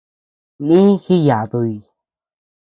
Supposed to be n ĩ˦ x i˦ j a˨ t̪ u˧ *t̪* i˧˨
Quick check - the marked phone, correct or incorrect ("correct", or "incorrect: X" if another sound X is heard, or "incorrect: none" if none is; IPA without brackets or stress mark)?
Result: incorrect: none